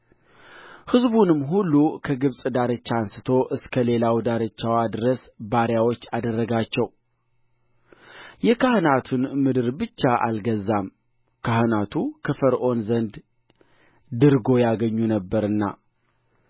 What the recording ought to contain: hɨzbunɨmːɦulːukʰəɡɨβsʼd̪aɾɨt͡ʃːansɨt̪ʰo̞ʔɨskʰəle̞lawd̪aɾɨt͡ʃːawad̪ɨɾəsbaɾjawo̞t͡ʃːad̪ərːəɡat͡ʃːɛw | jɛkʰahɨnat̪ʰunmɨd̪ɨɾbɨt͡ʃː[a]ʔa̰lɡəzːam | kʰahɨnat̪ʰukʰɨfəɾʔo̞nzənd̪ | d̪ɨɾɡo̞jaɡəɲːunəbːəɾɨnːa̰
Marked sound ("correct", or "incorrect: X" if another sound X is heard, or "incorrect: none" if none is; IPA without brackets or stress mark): correct